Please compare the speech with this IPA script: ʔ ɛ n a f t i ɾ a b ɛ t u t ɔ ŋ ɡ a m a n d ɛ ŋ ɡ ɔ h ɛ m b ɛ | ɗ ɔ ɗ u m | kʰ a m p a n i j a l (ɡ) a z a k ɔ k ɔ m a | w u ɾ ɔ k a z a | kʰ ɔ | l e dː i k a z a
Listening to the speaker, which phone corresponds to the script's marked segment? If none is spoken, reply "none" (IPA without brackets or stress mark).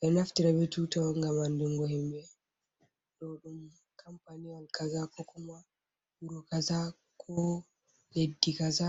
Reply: k